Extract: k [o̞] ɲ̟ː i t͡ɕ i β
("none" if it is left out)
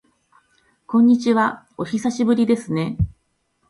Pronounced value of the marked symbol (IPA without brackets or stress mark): õ̞